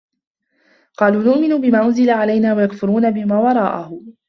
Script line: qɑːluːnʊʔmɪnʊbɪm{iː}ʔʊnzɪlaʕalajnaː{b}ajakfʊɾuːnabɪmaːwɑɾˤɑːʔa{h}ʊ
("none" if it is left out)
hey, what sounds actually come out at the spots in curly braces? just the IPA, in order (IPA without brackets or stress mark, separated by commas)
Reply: aː, w, h